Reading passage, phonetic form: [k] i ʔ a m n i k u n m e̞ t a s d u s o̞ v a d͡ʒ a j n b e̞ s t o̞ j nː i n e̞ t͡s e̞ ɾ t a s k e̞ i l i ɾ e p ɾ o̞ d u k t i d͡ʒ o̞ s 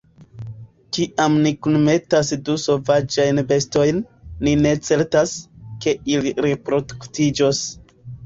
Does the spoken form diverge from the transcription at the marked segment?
no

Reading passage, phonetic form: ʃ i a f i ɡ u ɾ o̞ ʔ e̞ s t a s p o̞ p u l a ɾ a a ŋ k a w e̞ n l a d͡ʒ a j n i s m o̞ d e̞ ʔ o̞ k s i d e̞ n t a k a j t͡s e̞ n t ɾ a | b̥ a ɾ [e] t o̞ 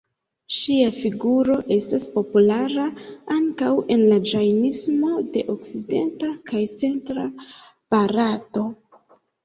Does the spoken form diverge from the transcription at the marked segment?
yes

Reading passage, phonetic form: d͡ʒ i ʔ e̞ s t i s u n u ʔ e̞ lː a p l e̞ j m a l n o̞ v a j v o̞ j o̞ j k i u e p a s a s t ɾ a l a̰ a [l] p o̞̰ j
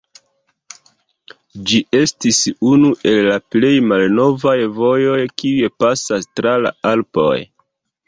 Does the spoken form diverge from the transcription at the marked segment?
no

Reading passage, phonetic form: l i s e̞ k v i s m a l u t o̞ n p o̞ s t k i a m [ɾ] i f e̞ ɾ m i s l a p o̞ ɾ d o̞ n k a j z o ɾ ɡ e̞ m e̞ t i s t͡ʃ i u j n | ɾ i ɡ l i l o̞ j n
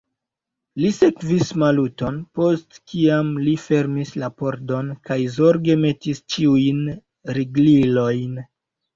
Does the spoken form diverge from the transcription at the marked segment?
yes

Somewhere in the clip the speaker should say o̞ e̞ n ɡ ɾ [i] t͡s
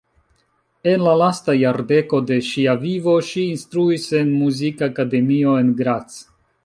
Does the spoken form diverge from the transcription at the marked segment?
yes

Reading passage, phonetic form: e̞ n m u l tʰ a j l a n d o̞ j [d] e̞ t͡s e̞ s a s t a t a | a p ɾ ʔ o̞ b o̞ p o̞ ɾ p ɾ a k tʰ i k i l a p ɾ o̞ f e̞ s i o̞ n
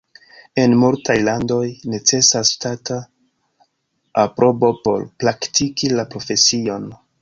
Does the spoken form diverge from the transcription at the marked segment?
yes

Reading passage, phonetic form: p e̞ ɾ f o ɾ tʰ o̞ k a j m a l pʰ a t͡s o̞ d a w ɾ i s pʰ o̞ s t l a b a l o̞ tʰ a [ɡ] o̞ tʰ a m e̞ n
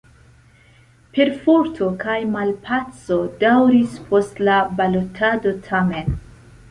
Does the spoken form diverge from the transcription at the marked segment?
yes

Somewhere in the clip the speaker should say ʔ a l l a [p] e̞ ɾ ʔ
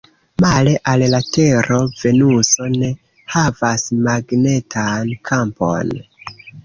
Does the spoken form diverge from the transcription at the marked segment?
yes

